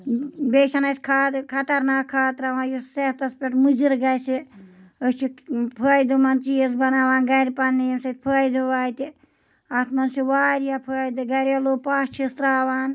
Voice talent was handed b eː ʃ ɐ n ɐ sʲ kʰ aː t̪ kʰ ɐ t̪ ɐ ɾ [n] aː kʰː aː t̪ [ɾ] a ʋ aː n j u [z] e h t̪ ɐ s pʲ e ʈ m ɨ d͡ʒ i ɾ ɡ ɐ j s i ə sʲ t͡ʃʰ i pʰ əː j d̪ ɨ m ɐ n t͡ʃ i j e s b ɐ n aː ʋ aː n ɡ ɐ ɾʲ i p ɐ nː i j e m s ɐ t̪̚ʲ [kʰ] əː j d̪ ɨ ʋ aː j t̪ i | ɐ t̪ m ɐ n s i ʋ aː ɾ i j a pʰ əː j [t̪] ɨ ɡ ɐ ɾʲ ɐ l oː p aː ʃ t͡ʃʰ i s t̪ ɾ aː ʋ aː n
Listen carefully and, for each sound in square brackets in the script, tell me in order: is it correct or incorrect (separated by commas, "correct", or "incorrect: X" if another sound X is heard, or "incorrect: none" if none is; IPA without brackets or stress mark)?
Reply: correct, correct, incorrect: s, incorrect: pʰ, incorrect: d̪